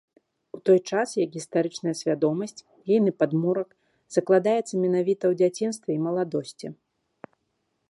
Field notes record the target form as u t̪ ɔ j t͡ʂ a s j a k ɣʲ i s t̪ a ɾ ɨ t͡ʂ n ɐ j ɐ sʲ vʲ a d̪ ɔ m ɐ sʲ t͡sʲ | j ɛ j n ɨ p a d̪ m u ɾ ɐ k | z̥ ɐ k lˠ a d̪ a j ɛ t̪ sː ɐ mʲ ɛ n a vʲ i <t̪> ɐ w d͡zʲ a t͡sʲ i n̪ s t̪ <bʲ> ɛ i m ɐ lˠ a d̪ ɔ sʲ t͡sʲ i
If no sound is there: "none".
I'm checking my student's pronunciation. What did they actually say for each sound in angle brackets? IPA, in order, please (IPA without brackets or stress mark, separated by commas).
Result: t̪, vʲ